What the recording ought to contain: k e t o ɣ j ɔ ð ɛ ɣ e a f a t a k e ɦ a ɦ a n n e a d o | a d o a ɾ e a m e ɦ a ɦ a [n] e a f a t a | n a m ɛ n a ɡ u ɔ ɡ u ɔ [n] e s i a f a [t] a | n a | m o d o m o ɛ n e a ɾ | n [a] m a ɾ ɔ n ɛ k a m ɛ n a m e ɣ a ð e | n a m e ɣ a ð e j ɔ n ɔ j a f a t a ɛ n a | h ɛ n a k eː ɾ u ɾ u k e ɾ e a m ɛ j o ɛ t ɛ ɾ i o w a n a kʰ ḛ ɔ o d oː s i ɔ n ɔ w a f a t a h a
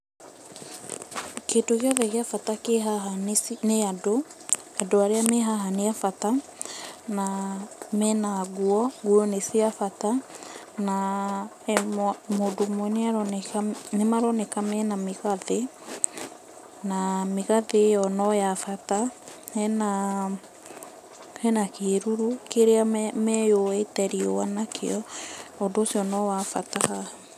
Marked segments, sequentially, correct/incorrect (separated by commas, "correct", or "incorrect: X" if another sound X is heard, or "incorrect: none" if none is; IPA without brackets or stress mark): correct, correct, correct, incorrect: e